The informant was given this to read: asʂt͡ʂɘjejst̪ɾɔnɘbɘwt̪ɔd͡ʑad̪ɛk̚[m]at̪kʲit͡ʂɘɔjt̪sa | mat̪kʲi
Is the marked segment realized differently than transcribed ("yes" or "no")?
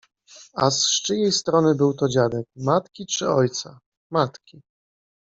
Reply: no